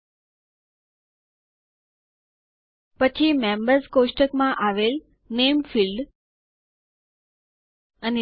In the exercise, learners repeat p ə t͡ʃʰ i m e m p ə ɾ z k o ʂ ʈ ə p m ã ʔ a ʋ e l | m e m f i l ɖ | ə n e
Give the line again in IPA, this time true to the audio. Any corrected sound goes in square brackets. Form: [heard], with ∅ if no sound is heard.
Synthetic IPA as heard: p ə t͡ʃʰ i m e m [b] ə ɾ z k o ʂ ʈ ə [k] m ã ʔ a ʋ e l | [n] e m f i l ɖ | ə n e

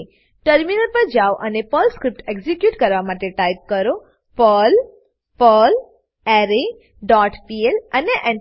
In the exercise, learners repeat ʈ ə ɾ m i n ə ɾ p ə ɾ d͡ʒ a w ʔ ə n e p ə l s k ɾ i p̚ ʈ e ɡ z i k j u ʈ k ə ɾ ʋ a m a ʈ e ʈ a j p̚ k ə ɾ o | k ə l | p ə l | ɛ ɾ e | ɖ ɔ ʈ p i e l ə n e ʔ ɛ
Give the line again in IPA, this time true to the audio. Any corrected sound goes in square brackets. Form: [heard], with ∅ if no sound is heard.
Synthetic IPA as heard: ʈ ə ɾ m i n ə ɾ p ə ɾ d͡ʒ a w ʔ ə n e p ə l s k ɾ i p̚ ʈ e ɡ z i k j u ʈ k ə ɾ ʋ a m a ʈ e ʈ a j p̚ k ə ɾ o | [p] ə l | p ə l | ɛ ɾ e | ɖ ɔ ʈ p i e l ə n e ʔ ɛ

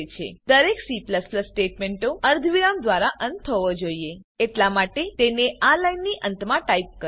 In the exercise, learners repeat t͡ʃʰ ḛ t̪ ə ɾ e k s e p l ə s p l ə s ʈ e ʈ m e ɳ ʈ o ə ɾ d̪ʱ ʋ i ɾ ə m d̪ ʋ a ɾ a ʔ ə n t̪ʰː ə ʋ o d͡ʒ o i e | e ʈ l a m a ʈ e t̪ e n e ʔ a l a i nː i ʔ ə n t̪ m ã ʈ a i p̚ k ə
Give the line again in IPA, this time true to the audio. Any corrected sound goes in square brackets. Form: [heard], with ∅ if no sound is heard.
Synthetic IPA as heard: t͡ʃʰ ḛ [d̪] ə ɾ e k s [i] p l ə s p l ə s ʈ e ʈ m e ɳ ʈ o ə ɾ d̪ʱ ʋ i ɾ [a] m d̪ ʋ a ɾ a ʔ ə n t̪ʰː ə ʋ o d͡ʒ o i e | e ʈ l a m a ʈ e t̪ e n e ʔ a l a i nː i ʔ ə n t̪ m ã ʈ a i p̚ k ə

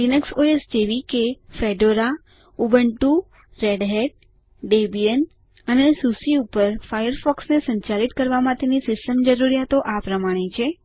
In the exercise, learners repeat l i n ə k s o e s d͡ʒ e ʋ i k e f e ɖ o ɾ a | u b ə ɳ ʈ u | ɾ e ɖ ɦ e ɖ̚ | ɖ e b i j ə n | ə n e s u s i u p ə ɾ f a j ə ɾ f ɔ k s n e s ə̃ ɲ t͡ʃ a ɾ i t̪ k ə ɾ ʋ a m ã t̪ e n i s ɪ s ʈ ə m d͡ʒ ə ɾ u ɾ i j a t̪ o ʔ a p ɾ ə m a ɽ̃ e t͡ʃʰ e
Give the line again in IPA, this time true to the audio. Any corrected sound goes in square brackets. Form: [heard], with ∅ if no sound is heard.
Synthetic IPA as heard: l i n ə k s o e s d͡ʒ e ʋ i k e f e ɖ o ɾ a | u b ə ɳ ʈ u | ɾ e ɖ ɦ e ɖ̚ | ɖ e b i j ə n | ə n e s u s i u p ə ɾ f a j ə ɾ f ɔ k s n e s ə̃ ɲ t͡ʃ a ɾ i t̪ k ə ɾ ʋ a m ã t̪ e n i s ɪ s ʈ ə m d͡ʒ ə ɾ u ɾ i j a t̪ o ʔ a p ɾ ə m a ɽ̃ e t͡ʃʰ e

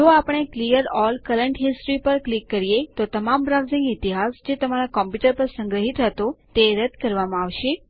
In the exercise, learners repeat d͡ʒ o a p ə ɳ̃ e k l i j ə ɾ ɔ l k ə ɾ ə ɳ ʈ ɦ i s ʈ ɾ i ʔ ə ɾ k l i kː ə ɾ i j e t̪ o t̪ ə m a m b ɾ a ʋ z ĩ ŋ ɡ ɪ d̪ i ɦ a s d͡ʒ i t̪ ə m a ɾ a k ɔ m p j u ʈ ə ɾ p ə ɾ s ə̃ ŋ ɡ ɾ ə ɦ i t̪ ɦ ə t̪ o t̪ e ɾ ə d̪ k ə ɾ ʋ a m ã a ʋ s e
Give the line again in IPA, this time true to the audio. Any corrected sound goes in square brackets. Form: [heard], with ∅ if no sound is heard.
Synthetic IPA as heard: d͡ʒ o a p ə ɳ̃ e k l i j ə ɾ ɔ l k ə ɾ ə ɳ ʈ ɦ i s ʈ ɾ i [p] ə ɾ k l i kː ə ɾ i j e t̪ o t̪ ə m a m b ɾ a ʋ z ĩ ŋ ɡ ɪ [t̪] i ɦ a s d͡ʒ [e] t̪ ə m a ɾ a k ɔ m p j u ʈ ə ɾ p ə ɾ s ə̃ ŋ ɡ ɾ ə ɦ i t̪ ɦ ə t̪ o t̪ e ɾ ə d̪ k ə ɾ ʋ a m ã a ʋ [ʃ] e

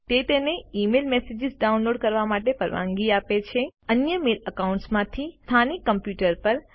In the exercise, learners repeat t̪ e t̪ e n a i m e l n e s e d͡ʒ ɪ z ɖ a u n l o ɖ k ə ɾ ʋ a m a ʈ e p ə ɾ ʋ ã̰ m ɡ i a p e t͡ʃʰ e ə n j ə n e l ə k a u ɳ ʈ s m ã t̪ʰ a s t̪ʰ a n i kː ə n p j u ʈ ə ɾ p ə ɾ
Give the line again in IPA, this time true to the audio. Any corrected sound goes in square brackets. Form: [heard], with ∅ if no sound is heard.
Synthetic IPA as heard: t̪ e t̪ e n [e] i m e l [m] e s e d͡ʒ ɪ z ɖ a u n l o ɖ k ə ɾ ʋ a m a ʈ e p ə ɾ ʋ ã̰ [ŋ] ɡ i a p e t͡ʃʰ e ə n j ə [m] e l ə k a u ɳ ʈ s m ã t̪ʰ [i] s t̪ʰ a n i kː ə [m] p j u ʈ ə ɾ p ə ɾ

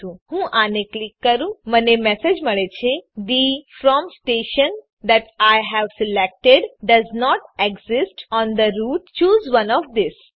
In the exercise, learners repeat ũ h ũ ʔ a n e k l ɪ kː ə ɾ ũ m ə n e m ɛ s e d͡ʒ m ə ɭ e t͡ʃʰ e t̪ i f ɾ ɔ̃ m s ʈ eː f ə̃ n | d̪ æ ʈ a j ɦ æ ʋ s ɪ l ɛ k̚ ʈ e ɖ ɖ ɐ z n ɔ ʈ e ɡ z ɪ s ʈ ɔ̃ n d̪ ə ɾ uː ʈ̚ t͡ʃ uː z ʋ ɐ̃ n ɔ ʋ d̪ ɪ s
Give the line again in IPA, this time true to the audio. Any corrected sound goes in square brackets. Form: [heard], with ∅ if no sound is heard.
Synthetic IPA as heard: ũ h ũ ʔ a n e k l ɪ kː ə ɾ ũ m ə n e m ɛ s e d͡ʒ m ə ɭ e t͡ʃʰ e [d̪] i f ɾ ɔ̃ m s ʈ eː [ʃ] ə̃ n | d̪ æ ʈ a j ɦ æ ʋ s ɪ l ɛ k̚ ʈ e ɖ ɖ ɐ z n ɔ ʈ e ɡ z ɪ s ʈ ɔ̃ n d̪ ə ɾ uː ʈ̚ t͡ʃ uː z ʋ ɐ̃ n ɔ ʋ d̪ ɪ s

